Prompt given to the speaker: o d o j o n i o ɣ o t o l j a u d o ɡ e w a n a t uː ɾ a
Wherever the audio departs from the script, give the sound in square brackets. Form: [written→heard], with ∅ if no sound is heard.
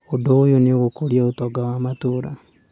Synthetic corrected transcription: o d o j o n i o ɣ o [t→k] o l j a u [d→t] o ɡ [e→a] w a [n→m] a t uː ɾ a